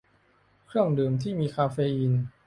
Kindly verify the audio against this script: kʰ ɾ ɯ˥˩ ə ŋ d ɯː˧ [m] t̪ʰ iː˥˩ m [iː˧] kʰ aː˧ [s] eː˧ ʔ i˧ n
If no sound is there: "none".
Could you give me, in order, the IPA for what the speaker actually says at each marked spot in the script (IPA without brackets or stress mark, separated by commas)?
m, iː˧, f